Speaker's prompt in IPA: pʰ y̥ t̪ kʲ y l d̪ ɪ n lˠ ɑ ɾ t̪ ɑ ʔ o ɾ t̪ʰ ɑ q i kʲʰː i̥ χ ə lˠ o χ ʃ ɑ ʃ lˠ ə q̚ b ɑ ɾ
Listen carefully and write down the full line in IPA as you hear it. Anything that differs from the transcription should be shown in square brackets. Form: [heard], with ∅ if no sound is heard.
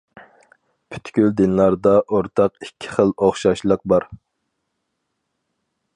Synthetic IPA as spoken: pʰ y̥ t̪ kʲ y l d̪ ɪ n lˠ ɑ ɾ [d̪] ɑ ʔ o ɾ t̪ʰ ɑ q i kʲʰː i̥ χ ə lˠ o χ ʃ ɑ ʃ lˠ ə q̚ b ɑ ɾ